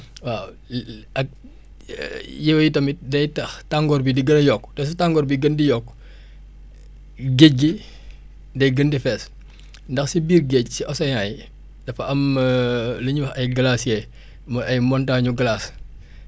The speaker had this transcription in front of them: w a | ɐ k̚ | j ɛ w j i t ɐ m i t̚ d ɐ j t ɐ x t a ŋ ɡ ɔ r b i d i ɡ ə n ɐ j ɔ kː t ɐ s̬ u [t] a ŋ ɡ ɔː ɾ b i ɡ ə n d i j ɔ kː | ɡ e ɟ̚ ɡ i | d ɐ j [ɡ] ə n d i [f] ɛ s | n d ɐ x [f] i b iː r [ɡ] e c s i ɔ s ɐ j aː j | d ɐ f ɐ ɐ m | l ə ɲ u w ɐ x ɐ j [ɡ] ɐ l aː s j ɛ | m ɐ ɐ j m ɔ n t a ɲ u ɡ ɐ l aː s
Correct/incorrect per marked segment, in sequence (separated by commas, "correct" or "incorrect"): correct, correct, correct, incorrect, correct, correct